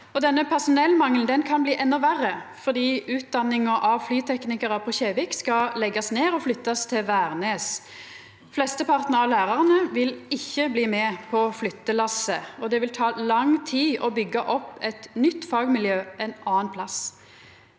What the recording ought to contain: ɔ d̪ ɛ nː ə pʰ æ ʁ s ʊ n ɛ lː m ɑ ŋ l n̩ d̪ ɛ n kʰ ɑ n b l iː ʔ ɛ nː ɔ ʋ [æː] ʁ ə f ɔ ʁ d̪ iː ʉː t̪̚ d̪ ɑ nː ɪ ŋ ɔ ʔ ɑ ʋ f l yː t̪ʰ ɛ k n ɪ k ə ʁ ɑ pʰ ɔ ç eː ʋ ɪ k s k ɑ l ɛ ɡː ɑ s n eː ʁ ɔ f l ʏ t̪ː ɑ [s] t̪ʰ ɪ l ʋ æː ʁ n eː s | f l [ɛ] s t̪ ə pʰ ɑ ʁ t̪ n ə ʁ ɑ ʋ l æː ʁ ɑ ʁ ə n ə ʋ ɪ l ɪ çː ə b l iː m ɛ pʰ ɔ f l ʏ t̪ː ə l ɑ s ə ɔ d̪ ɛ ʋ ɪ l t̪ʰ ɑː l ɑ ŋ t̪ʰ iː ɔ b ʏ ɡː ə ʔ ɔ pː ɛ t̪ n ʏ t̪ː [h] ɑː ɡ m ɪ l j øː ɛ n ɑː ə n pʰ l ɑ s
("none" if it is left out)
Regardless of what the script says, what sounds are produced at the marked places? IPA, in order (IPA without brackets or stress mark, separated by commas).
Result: æ, s, ɛ, f